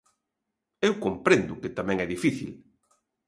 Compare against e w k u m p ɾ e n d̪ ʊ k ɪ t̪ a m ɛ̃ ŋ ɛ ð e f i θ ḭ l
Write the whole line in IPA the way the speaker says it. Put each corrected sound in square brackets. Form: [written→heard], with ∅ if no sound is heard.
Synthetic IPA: e w k [u→o] m p ɾ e n d̪ ʊ k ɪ t̪ a m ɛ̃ ŋ ɛ ð [e→i] f i θ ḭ l